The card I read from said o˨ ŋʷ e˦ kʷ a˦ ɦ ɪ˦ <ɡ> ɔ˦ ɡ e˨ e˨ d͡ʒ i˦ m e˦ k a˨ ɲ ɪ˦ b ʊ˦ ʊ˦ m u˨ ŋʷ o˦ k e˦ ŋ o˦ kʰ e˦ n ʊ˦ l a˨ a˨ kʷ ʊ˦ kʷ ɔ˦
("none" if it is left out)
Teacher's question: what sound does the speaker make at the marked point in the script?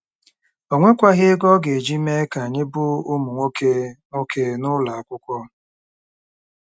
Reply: ɡ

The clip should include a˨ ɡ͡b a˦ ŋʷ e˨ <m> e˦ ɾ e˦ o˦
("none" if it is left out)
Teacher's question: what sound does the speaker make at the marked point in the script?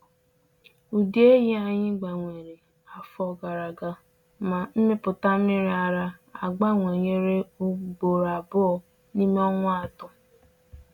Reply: ɲ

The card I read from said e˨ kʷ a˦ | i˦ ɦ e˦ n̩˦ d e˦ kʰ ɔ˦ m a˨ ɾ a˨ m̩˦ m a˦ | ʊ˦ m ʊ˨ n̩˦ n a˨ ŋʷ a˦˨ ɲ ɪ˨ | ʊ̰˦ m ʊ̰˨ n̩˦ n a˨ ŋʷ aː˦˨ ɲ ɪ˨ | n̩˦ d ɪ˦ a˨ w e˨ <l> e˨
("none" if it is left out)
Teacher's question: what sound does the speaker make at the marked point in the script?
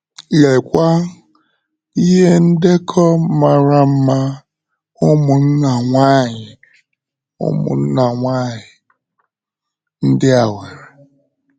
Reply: ɾ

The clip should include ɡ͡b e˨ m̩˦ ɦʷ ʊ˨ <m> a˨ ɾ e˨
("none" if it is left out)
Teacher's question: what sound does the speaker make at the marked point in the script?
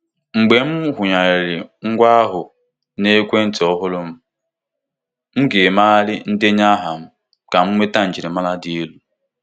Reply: ɲ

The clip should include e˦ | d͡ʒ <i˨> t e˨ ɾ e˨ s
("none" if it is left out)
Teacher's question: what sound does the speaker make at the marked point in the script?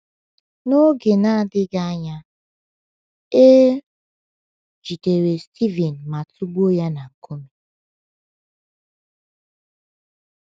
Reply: i˨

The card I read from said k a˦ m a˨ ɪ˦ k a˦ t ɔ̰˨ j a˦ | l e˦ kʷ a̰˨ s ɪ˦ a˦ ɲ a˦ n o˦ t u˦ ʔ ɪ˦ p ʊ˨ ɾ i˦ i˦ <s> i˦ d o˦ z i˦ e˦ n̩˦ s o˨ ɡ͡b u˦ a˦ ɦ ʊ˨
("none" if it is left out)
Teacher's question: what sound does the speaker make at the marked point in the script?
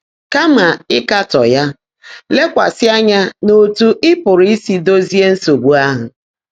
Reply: s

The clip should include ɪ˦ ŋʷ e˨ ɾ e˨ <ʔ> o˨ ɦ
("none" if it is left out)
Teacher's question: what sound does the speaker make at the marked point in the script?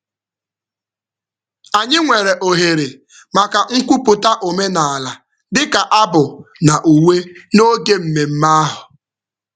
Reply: ʔ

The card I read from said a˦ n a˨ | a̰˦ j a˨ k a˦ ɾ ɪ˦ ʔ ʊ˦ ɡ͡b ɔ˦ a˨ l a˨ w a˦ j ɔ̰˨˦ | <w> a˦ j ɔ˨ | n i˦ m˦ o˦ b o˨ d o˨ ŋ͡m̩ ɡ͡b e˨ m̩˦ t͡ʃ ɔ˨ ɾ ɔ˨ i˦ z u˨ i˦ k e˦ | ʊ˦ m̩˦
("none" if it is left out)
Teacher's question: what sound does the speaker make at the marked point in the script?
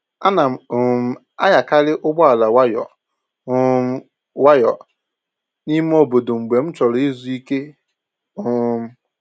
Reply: w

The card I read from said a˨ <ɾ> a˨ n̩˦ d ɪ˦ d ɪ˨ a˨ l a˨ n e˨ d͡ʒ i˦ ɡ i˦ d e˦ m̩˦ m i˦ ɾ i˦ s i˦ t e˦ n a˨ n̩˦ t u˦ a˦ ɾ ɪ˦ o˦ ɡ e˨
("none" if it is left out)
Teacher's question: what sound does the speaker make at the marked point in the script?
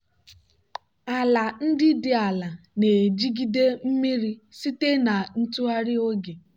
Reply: l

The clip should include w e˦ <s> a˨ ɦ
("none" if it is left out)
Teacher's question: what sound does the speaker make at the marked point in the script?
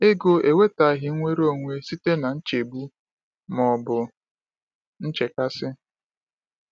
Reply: t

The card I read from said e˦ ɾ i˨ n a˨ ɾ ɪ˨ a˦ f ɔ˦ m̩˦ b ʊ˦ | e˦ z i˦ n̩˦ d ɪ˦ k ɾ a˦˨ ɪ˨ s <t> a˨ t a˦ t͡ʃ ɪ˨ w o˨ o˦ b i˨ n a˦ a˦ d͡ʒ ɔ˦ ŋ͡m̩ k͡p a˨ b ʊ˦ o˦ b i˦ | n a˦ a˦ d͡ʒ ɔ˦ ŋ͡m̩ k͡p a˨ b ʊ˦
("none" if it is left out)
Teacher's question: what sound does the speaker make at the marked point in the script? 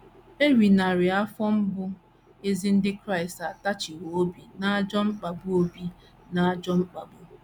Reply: t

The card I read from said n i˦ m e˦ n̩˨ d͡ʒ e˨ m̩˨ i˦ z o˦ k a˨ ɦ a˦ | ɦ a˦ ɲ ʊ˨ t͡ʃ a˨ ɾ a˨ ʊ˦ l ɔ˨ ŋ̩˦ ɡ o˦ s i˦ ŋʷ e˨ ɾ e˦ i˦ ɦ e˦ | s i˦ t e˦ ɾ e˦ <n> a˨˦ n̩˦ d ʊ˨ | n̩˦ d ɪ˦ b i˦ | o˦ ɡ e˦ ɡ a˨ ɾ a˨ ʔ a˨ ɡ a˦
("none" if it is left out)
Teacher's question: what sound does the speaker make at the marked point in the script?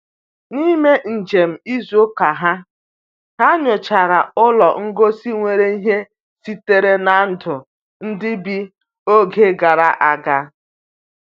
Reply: n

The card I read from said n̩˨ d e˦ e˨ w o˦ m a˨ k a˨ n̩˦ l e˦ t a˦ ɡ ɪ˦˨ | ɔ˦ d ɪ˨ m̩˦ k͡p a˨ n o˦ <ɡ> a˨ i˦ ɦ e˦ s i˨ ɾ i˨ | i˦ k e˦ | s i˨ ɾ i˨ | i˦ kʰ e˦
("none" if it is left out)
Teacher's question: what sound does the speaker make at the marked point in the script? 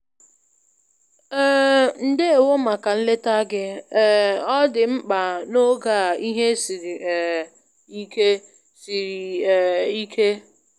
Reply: ɡ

